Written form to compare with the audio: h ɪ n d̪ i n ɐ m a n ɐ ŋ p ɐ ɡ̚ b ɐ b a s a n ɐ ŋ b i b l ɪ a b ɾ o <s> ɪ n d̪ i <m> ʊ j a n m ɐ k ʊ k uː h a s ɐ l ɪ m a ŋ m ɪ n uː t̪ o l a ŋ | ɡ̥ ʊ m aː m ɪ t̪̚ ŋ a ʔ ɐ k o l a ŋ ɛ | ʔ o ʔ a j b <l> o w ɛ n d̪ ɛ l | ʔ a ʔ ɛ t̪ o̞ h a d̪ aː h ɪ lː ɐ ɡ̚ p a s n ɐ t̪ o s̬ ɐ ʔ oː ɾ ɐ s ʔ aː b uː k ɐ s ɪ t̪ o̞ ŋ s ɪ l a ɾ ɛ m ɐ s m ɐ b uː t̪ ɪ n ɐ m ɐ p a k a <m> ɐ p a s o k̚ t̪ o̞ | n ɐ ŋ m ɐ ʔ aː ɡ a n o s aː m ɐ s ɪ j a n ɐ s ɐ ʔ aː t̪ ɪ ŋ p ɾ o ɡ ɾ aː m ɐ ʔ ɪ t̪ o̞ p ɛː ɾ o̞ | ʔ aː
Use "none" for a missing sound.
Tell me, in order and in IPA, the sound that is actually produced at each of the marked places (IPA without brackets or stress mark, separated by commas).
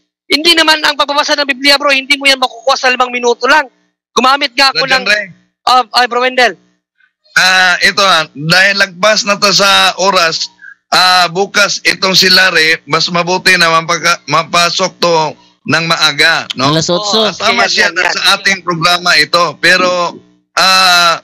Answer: h, m, ɾ, m